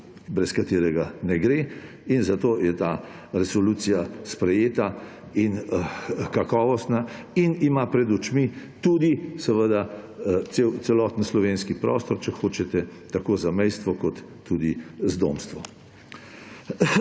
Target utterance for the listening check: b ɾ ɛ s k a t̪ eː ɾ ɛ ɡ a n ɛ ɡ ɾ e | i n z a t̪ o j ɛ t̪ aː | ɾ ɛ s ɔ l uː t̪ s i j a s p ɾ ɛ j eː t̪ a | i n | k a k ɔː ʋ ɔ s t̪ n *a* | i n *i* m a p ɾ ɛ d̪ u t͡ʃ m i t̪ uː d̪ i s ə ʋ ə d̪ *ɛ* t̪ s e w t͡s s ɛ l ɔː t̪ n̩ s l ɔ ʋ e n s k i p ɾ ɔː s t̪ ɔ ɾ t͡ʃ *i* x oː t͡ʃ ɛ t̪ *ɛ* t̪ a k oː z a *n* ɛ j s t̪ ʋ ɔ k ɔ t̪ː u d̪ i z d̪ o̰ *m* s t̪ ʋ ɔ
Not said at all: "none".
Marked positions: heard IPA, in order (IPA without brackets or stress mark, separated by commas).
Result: a, i, a, ɛ, ɛ, m, m